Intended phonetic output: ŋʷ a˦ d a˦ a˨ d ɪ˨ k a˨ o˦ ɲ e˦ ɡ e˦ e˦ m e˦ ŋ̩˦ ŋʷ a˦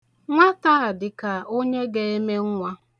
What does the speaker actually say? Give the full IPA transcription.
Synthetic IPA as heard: ŋʷ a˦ t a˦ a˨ d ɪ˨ k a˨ o˦ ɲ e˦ ɡ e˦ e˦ m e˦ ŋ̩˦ ŋʷ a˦